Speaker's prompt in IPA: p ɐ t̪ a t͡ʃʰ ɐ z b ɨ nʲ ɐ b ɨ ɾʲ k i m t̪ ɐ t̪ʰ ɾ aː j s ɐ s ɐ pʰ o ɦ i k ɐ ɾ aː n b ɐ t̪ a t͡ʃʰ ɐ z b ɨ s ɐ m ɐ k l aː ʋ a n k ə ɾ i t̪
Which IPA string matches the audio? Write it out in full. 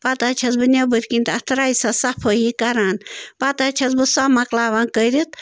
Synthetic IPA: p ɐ t̪ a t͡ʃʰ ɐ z b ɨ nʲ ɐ b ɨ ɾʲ k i n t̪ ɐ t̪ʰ ɾ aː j s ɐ s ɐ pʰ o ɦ i k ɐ ɾ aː n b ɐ t̪ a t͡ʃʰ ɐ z b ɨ s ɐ m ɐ k l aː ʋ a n k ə ɾ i t̪